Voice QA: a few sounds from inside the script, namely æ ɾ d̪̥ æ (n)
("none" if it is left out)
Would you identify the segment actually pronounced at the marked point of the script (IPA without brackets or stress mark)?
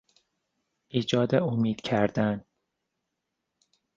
n